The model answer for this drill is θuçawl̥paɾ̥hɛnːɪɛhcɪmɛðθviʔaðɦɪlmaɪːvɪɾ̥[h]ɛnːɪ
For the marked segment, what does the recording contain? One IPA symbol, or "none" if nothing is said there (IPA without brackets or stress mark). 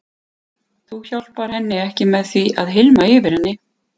h